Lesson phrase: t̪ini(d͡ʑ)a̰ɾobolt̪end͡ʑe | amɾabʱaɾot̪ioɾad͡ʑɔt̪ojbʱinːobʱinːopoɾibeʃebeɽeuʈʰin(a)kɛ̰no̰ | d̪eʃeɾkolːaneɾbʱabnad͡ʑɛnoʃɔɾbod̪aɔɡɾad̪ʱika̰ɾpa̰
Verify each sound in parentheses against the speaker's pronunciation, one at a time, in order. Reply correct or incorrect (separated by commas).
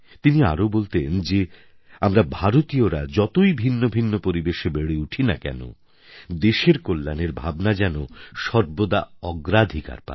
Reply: incorrect, correct